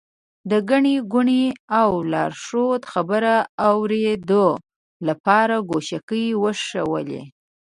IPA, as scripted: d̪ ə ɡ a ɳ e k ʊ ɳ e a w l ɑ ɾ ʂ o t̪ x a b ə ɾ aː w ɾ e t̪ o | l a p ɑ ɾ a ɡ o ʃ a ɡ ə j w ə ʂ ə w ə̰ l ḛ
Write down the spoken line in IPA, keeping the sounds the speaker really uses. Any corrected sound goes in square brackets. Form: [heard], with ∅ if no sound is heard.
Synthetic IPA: d̪ ə ɡ a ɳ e [ɡ] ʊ ɳ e a w l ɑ ɾ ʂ o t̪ x a b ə ɾ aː w ɾ e [d̪] o | l a p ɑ ɾ a ɡ o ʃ a [k] ə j w ə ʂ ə w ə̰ l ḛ